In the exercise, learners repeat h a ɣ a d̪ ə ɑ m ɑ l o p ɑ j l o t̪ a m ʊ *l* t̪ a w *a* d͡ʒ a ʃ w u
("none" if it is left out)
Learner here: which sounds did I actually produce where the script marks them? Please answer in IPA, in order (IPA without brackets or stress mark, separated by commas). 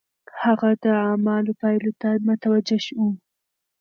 none, a